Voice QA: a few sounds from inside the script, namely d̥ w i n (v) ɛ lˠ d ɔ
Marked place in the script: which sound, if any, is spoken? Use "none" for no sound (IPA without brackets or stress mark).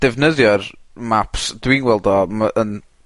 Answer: w